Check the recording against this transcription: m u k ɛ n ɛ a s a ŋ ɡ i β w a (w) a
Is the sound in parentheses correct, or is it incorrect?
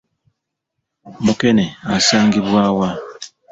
correct